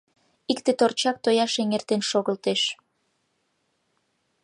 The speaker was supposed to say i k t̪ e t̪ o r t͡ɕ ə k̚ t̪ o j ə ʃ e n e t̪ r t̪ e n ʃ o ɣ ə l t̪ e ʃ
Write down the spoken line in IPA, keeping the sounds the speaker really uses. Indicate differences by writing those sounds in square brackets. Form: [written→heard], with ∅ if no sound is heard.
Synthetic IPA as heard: i k t̪ e t̪ o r t͡ɕ [ə→ɑ] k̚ t̪ o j [ə→ɑ] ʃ e [n→ŋ] e [t̪→∅] r t̪ e n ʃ o ɣ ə l t̪ e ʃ